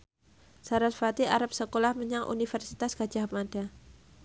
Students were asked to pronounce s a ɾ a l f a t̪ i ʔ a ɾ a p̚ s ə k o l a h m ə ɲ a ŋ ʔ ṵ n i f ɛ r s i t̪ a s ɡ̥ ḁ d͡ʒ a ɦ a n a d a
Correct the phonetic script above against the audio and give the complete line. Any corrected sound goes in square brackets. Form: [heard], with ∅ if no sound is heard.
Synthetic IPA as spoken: s a ɾ a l f a t̪ i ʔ a ɾ a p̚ s ə k o l a h m ə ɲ a ŋ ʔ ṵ n i f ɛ r s i t̪ a s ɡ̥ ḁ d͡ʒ a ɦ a [m] a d a